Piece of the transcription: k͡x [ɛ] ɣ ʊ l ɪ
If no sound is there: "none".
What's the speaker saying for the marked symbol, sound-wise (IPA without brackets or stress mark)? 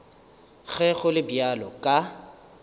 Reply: ɛ